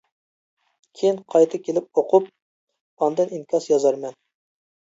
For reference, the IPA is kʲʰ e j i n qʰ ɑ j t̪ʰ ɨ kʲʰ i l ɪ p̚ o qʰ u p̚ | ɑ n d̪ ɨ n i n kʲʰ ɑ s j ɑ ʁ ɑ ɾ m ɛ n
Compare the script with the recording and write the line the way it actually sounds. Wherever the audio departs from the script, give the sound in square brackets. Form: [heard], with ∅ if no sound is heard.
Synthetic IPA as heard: kʲʰ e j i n qʰ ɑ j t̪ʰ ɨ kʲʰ [e] l ɪ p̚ o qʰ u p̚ | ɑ n d̪ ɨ n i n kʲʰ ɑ s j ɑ [z] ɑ ɾ m ɛ n